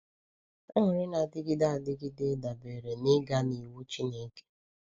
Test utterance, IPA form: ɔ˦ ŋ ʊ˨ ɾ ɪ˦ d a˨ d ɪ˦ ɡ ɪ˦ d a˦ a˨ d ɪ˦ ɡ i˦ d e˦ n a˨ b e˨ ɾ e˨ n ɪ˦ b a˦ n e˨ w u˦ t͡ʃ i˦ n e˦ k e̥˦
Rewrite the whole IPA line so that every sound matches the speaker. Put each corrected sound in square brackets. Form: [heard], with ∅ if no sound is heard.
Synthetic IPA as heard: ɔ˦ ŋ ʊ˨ ɾ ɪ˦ [n] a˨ d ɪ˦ ɡ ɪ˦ d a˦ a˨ d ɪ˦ ɡ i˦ d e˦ [d] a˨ b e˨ ɾ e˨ n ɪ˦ [ɡ] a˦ n [i˨] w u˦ t͡ʃ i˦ n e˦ k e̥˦